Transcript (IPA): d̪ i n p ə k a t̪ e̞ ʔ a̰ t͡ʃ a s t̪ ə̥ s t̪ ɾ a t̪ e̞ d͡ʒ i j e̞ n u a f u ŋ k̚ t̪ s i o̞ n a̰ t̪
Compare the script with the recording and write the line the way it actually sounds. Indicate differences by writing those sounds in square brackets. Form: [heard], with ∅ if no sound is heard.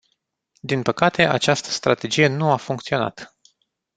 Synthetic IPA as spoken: d̪ i n p ə k a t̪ e̞ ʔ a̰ t͡ʃ a s t̪ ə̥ s t̪ ɾ a t̪ e̞ d͡ʒ i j e̞ n u a f u ŋ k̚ t̪ s i o̞ n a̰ t̪